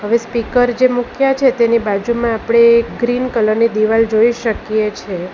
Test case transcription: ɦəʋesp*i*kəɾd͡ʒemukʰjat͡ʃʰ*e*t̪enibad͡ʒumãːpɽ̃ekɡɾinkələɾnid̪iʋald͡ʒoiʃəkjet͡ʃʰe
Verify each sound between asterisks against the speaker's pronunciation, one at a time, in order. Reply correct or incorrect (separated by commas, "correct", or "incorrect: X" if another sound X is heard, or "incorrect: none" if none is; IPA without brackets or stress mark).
correct, correct